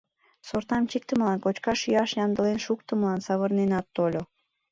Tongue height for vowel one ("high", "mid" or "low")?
mid